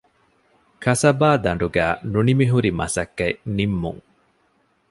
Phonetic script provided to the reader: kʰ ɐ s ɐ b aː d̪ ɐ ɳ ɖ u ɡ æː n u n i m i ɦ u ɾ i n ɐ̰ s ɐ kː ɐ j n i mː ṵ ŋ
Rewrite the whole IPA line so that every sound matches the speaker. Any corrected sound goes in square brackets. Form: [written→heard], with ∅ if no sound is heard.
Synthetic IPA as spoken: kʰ ɐ s ɐ b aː d̪ ɐ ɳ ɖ u ɡ æː n u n i m i ɦ u ɾ i [n→m] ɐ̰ s ɐ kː ɐ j n i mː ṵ ŋ